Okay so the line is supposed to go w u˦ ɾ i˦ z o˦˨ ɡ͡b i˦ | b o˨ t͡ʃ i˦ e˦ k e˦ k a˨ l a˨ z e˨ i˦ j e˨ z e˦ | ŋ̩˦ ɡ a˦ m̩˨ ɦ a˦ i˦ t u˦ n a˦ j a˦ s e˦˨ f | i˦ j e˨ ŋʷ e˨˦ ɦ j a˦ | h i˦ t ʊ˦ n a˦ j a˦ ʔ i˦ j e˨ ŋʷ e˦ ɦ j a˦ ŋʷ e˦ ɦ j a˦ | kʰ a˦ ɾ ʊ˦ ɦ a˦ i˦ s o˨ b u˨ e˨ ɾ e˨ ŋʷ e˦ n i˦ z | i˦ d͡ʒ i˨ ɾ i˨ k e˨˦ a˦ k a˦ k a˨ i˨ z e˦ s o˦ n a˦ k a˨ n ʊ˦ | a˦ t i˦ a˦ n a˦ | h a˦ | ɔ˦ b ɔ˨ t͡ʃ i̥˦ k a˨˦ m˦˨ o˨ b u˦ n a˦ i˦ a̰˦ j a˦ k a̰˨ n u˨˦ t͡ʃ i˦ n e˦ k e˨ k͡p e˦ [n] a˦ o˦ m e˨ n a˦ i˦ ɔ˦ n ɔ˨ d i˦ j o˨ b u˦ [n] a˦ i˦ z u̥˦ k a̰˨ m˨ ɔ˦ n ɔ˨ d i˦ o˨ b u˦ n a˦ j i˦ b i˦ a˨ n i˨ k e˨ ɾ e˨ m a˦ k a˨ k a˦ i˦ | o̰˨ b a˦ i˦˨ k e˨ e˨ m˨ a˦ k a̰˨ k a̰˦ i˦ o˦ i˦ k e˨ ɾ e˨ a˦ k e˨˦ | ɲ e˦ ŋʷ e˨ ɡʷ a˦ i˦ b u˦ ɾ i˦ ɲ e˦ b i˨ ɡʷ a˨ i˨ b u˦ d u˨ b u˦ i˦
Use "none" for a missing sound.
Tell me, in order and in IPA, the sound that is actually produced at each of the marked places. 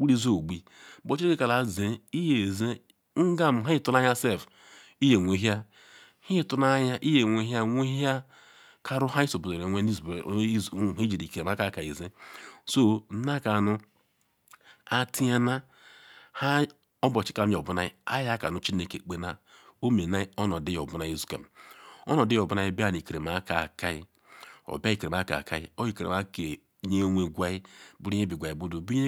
n, n

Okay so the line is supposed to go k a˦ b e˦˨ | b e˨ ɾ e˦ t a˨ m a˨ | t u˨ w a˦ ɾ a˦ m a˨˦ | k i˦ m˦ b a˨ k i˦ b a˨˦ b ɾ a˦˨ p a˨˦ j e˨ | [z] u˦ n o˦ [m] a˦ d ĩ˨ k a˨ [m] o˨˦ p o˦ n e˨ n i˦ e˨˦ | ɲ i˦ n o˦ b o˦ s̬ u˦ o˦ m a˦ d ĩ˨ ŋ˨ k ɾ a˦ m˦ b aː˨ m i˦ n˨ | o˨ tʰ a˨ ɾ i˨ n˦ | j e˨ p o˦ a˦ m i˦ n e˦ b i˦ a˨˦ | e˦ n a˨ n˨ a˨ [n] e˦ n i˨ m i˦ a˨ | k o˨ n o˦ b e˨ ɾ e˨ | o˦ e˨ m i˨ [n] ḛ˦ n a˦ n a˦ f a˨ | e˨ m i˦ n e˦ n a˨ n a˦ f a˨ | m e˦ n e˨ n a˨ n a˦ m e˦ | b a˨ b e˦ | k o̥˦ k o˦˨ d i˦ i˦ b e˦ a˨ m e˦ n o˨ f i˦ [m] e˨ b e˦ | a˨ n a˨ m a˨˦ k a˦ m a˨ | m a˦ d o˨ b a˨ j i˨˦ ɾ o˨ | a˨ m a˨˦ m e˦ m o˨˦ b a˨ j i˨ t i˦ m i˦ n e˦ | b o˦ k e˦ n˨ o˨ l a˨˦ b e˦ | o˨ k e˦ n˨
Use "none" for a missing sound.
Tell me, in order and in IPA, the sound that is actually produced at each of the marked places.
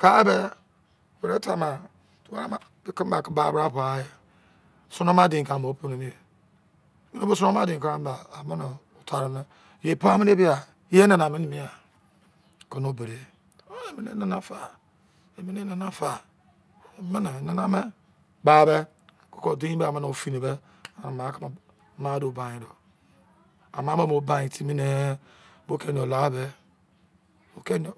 s, m, m, m, n, n

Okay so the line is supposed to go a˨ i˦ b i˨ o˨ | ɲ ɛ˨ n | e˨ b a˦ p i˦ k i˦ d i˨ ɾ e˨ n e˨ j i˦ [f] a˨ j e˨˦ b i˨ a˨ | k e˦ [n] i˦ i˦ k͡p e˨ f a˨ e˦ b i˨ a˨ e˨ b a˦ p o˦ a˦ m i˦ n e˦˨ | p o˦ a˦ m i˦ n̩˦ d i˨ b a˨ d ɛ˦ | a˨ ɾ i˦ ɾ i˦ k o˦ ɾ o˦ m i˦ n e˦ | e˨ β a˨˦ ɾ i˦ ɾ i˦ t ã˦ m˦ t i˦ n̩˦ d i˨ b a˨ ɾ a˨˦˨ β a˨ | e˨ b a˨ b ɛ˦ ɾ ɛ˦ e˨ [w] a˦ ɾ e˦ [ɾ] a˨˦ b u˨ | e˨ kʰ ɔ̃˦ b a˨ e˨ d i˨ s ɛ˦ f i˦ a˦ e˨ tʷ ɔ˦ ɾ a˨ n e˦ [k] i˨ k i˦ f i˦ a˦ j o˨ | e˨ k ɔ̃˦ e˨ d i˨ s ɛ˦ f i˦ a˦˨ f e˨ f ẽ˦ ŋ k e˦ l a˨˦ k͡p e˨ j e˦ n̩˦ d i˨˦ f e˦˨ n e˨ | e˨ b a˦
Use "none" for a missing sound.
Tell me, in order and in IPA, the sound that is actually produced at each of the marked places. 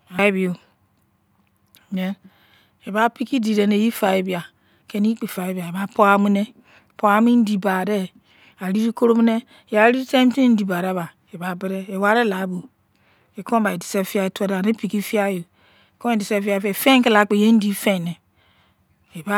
f, n, w, l, p

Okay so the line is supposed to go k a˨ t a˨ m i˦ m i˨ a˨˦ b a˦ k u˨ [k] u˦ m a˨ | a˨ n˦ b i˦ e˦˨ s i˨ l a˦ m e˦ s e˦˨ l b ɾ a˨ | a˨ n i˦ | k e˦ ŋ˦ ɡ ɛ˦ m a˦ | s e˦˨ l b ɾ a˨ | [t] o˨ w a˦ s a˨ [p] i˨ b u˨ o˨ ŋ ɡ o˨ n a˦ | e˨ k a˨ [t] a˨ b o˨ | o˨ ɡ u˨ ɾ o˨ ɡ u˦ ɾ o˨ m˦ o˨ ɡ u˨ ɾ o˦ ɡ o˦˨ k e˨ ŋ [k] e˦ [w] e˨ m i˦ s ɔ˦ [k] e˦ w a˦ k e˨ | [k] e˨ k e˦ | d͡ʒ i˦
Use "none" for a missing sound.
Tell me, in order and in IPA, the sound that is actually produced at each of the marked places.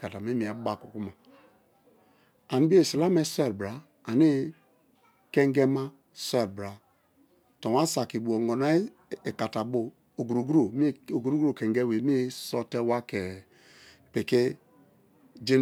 k, t, k, t, ɡ, w, t, p

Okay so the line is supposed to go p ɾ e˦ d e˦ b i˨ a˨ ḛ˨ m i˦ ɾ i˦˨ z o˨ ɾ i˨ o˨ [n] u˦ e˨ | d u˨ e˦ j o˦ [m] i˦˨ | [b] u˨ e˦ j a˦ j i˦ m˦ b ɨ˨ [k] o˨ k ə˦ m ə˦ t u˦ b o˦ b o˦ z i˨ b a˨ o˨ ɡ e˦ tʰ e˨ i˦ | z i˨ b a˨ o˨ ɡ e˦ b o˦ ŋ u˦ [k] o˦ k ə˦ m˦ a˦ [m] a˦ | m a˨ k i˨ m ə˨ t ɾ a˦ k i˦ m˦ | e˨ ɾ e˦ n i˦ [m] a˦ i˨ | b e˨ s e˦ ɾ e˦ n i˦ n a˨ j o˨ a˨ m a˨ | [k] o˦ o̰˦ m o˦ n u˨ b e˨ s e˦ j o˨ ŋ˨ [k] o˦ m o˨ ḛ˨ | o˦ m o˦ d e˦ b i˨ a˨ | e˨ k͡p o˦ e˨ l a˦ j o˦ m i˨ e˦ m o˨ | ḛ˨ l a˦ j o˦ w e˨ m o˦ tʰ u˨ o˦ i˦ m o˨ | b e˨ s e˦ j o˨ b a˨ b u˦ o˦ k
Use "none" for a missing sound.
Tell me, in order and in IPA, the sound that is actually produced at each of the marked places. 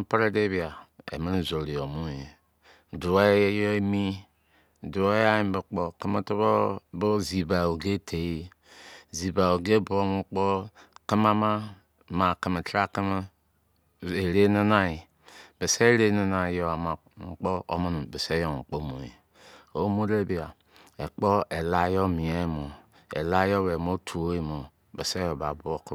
m, m, d, k͡p, k͡p, m, n, k͡p, k͡p

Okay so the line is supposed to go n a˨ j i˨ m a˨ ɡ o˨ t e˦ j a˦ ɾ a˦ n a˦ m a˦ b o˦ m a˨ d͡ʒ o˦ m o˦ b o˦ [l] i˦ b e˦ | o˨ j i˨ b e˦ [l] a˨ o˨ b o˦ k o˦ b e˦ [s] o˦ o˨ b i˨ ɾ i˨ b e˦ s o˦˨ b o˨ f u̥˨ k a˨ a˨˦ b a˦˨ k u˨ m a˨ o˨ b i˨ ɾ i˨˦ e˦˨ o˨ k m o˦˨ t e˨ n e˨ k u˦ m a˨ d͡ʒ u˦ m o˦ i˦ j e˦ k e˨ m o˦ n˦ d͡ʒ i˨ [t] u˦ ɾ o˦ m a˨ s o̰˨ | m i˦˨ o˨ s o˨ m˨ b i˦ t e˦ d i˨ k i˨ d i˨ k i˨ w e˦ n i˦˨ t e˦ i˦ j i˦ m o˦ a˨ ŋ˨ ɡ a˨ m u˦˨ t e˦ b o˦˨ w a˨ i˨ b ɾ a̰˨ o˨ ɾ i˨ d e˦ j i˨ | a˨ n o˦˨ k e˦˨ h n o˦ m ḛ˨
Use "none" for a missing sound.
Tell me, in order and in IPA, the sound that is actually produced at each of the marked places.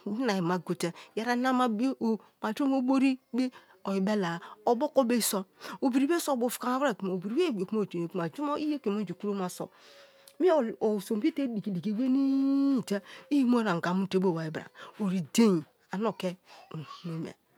ɾ, l, s, k

